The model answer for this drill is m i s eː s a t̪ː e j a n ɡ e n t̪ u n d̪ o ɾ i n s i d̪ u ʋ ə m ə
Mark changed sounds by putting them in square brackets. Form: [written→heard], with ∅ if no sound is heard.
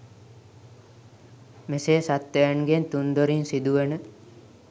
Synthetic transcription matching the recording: m [i→e] s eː s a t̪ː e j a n ɡ e n t̪ u n d̪ o ɾ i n s i d̪ u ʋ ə [m→n] ə